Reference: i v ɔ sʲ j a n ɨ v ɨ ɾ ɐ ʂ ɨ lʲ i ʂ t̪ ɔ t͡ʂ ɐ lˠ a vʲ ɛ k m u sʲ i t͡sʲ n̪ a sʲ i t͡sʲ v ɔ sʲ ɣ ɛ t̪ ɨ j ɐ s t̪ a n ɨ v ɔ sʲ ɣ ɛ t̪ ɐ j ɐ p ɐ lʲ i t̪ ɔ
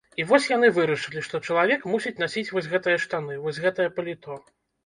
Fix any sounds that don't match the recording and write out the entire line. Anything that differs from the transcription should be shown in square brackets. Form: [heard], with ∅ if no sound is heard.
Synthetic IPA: i v ɔ sʲ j a n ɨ v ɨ ɾ ɐ ʂ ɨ lʲ i ʂ t̪ ɔ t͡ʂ ɐ lˠ a vʲ ɛ k m u sʲ i t͡sʲ n̪ a sʲ i t͡sʲ v ɔ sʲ ɣ ɛ t̪ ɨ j ɐ [ʂ] t̪ a n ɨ v ɔ sʲ ɣ ɛ t̪ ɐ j ɐ p ɐ lʲ i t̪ ɔ